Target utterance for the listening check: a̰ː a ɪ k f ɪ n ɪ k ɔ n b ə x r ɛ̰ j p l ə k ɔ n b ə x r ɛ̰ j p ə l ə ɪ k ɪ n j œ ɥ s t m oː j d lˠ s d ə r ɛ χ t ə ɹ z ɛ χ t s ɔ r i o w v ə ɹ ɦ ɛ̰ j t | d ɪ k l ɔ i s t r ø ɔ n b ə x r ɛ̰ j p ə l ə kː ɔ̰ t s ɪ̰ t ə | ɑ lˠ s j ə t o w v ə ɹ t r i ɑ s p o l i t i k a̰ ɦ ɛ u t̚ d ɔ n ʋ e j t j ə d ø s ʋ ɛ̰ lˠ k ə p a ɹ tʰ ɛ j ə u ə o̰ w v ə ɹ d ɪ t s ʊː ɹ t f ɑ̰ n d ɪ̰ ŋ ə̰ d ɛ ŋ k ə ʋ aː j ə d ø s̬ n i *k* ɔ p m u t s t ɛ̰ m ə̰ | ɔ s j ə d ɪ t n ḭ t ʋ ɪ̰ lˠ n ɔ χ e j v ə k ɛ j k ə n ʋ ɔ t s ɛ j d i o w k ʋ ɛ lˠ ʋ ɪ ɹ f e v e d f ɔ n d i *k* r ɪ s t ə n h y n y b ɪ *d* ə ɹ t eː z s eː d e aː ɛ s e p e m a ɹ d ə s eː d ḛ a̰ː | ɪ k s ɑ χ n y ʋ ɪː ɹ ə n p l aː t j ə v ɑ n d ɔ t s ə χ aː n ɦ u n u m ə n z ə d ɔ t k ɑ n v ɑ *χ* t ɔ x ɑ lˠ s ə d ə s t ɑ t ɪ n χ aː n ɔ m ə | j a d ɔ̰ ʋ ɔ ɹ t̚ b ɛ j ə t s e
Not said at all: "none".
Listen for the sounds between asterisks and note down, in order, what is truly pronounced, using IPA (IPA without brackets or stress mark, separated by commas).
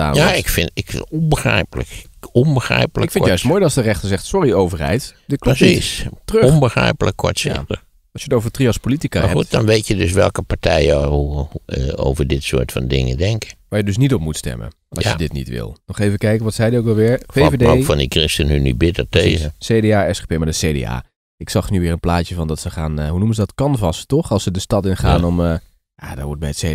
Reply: t, k, t, s